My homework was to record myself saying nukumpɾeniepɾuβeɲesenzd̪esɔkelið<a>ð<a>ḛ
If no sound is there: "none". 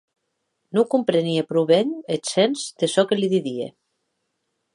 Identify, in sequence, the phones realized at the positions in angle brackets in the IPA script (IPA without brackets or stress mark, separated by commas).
i, i